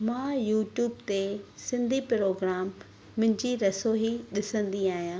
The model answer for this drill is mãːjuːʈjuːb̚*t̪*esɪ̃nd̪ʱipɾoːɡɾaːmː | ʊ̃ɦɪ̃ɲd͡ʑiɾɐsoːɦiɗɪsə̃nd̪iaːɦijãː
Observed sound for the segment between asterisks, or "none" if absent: t̪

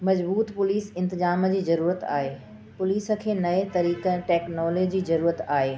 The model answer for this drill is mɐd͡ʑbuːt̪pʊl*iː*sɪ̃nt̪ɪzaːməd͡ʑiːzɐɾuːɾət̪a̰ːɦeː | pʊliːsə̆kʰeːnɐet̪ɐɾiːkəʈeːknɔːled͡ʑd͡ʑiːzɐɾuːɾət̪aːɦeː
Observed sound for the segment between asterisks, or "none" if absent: iː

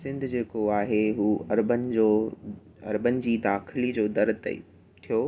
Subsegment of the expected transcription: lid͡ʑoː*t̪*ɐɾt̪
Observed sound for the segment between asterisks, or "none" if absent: d̪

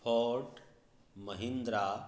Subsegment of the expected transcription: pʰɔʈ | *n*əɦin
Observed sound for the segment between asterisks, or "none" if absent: m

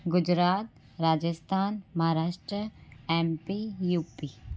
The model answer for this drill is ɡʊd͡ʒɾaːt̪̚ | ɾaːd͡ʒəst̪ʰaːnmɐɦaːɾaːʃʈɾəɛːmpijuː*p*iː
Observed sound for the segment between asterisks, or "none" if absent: p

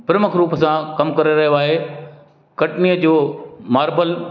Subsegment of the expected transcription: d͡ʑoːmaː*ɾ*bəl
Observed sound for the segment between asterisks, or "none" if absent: ɾ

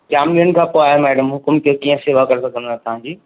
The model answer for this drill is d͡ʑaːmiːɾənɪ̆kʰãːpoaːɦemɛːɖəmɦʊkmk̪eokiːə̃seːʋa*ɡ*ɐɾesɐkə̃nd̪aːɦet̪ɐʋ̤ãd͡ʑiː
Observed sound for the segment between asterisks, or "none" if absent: k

